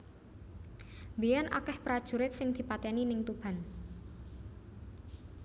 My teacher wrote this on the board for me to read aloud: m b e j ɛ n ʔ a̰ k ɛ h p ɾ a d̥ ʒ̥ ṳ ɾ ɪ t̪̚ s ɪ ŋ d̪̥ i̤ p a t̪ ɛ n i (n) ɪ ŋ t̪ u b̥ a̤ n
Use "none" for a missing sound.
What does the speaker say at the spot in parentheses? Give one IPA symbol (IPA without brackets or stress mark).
n